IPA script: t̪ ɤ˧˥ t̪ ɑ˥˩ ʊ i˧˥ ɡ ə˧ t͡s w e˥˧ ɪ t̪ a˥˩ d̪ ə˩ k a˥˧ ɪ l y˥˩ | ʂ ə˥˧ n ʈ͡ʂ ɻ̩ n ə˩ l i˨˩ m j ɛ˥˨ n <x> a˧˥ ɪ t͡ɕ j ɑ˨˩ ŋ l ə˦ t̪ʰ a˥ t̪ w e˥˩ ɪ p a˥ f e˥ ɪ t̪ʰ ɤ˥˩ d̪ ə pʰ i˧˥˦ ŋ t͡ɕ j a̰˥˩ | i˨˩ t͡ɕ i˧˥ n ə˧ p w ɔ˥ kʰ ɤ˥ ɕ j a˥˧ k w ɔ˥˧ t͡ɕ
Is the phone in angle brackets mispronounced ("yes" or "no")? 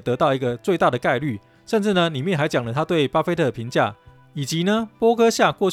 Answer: no